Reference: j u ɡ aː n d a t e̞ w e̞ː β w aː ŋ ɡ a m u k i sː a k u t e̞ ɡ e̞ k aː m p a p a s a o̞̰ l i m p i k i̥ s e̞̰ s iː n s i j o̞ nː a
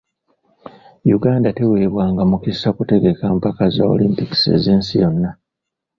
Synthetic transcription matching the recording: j u ɡ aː n d a t e̞ w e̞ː β w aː ŋ ɡ a m u k i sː a k u t e̞ ɡ e̞ k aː m p a k a z a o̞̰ l i m p i k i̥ s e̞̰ z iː n s i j o̞ nː a

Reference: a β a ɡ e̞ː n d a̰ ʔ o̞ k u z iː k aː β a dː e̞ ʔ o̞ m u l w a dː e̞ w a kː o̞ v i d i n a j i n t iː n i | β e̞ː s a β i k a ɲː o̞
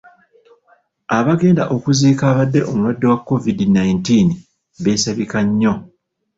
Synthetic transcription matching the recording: a β a ɡ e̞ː n d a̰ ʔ o̞ k u z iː k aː β a dː e̞ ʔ o̞ m u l w a dː e̞ w a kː o̞ v i d i n a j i n t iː n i | β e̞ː s a β i k a ɲː o̞

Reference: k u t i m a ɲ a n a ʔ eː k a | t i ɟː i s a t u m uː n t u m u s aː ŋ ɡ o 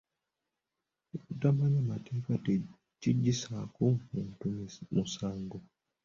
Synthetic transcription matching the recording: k u t a m a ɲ a m a t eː k a | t i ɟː i s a k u m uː n t u m u s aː ŋ ɡ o

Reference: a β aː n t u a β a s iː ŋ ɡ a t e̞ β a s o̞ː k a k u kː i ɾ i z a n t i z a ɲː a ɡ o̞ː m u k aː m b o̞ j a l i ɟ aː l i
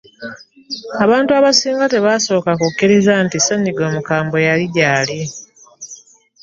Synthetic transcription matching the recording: a β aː n t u a β a s iː ŋ ɡ a t e̞ β a s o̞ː k a k u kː i ɾ i z a n t i s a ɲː i ɡ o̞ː m u k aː m b o̞ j a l i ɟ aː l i

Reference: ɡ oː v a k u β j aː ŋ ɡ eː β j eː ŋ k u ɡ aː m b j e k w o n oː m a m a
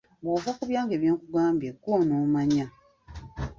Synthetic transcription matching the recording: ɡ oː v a k u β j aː ŋ ɡ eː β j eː ŋ k u ɡ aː m b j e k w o n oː m a ɲ a

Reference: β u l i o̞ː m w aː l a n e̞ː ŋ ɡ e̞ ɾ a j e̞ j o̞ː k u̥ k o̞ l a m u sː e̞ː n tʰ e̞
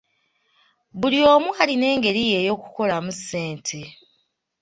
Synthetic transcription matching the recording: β u l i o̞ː m w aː l i n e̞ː ŋ ɡ e̞ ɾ i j e̞ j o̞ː k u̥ k o̞ l a m u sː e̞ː n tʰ e̞

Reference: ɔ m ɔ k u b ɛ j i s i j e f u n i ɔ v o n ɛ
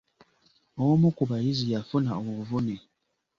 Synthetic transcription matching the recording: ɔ m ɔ k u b a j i z i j a f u n a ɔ v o n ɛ

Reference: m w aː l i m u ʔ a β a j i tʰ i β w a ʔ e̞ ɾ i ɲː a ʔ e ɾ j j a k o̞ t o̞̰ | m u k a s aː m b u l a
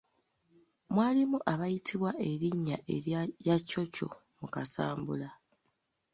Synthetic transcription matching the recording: m w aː l i m u ʔ a β a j i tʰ i β w a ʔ e̞ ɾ i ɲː a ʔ e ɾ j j a c o̞ c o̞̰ | m u k a s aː m b u l a

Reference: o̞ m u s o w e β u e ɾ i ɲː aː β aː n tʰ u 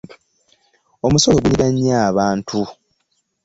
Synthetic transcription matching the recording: o̞ m u s o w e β u i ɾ a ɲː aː β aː n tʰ u

